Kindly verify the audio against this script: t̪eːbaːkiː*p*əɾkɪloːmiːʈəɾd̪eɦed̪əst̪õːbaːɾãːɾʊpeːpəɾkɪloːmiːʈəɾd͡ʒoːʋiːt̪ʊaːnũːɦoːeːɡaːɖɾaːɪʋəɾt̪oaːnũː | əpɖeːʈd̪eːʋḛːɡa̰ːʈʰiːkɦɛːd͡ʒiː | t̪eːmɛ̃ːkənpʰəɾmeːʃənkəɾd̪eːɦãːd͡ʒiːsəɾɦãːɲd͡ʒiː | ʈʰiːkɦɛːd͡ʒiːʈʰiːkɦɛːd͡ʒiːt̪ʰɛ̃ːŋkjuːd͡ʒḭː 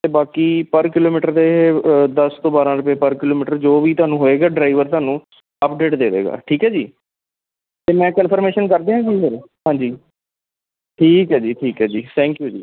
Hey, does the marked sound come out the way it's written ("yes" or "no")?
yes